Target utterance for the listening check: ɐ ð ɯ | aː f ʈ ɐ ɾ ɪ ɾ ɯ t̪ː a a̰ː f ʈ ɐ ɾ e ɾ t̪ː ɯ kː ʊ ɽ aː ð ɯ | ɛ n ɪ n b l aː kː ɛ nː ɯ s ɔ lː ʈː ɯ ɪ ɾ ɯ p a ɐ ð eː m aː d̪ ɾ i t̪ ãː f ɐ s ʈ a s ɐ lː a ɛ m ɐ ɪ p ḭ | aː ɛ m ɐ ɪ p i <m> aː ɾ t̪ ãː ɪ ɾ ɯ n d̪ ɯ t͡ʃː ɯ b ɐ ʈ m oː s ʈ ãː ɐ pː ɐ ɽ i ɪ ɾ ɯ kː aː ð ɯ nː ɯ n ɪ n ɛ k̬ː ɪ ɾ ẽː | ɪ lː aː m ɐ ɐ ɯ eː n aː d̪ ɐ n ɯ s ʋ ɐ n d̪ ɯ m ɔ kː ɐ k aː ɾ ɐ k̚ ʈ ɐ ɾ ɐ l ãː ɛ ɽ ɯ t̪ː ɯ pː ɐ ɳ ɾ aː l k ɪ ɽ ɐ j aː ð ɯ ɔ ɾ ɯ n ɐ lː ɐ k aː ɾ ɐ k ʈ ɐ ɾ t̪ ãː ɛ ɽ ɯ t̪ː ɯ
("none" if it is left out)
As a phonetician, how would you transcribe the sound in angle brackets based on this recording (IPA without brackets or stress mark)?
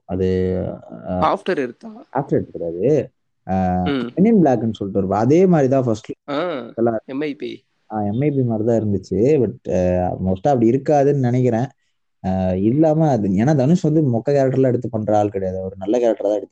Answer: m